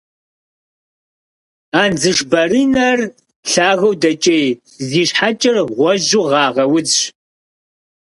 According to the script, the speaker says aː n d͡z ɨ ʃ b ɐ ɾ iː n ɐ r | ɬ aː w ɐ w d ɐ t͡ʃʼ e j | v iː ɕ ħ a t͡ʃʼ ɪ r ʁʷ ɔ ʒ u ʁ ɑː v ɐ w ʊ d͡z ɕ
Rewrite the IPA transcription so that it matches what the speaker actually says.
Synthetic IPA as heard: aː n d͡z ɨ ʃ b ɐ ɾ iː n ɐ r | ɬ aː ɣ ɐ w d ɐ t͡ʃʼ e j | z iː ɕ ħ a t͡ʃʼ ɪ r ʁʷ ɔ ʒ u ʁ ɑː ʁ ɐ w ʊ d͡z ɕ